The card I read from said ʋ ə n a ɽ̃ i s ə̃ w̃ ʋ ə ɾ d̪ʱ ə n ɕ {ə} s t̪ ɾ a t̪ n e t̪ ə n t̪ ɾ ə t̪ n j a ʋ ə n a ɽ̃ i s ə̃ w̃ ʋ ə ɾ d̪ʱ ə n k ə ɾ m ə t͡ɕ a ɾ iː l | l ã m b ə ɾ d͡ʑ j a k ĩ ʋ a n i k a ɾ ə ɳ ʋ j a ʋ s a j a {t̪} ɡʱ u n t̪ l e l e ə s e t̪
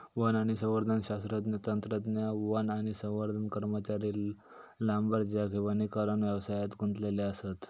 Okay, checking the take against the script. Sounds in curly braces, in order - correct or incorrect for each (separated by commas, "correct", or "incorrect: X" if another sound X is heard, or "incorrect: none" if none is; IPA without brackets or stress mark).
incorrect: a, correct